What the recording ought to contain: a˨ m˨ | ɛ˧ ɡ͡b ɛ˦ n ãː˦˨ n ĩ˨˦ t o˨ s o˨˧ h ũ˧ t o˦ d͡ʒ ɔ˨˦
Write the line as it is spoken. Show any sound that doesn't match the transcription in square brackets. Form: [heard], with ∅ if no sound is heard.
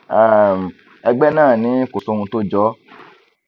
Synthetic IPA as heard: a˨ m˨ | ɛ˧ ɡ͡b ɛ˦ n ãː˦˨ n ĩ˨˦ [k] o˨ s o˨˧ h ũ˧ t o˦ d͡ʒ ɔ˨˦